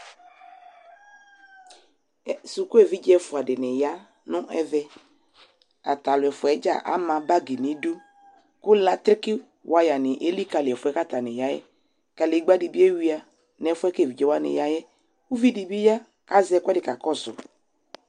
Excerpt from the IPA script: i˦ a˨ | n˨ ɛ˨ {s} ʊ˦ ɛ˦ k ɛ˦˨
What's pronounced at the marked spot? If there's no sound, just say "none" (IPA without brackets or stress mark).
f